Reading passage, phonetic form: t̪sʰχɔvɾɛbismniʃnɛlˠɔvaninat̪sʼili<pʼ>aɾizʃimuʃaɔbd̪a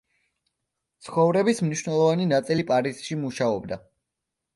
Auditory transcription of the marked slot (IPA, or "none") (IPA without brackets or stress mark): pʼ